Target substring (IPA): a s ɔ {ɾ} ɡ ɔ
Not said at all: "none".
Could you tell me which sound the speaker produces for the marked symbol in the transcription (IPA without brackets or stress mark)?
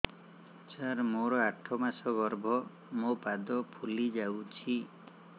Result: none